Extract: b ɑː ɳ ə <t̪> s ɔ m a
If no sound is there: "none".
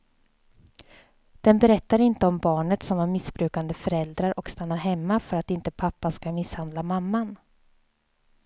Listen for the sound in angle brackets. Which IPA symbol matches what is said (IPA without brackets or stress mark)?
t̪